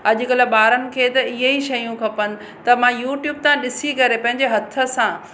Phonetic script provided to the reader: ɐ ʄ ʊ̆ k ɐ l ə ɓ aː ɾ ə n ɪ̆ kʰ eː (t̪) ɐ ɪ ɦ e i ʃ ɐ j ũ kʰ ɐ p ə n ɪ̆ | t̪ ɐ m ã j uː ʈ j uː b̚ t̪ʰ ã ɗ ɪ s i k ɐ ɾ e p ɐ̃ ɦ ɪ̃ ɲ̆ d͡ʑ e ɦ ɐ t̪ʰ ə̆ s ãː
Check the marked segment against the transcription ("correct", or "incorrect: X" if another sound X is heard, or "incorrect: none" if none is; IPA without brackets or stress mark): correct